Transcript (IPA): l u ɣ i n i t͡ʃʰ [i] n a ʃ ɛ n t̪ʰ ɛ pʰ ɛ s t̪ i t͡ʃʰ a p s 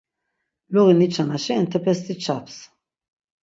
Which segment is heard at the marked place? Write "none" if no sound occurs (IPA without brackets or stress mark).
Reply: a